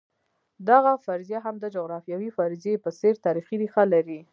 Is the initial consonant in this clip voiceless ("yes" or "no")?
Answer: no